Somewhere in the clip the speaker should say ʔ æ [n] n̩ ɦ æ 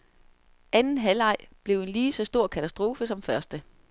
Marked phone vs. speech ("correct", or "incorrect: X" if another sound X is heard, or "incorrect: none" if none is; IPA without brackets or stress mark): correct